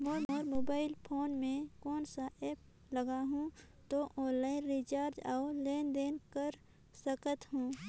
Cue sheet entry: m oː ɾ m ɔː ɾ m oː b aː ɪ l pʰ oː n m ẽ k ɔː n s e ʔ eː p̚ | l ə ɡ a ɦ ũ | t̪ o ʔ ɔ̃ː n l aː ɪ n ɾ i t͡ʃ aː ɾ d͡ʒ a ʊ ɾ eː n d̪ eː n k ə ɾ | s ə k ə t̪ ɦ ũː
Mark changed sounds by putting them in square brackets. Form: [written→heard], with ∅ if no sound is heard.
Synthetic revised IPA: m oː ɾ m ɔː ɾ m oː b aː ɪ l pʰ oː n m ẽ k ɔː n s [e→a] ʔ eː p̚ | l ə ɡ a ɦ ũ | t̪ o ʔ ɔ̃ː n l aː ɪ n ɾ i t͡ʃ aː ɾ d͡ʒ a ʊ [ɾ→l] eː n d̪ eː n k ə ɾ | s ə k ə t̪ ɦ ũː